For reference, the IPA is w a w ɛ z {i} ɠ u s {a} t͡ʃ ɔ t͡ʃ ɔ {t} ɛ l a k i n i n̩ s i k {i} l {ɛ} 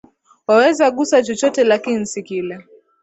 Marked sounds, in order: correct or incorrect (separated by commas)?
incorrect, correct, correct, correct, correct